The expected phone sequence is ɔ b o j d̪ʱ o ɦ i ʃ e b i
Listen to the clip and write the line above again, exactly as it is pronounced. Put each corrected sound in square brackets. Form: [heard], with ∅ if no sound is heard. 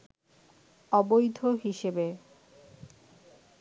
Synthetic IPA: ɔ b o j d̪ʱ o ɦ i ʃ e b [e]